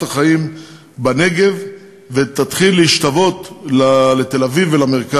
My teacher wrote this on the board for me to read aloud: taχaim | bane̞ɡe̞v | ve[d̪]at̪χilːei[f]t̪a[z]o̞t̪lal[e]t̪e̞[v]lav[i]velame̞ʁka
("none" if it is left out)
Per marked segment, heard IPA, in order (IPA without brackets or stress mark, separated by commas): t̪, ʃ, v, e, none, i